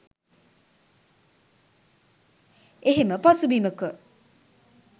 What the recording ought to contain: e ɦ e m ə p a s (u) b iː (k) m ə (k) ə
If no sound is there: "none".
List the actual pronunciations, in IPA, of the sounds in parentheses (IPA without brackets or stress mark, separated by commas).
u, none, k